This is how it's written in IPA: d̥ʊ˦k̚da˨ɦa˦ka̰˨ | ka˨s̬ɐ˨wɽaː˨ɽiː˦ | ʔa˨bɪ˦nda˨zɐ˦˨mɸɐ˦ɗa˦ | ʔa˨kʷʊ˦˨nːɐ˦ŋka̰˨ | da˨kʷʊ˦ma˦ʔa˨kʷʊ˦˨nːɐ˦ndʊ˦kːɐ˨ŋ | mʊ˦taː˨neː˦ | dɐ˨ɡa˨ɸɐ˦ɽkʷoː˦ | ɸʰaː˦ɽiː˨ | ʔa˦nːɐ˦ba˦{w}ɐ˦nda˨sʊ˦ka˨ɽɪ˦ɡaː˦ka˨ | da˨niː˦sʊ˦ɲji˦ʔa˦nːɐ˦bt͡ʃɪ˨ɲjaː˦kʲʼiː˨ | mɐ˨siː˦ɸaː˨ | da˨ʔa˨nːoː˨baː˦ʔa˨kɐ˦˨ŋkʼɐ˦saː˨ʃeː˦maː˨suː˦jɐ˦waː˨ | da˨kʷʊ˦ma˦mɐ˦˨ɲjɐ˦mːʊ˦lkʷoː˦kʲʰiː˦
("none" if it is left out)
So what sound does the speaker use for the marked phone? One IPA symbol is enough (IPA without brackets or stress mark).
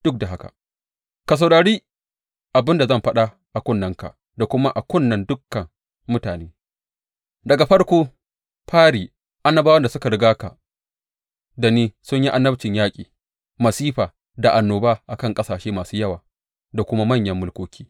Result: w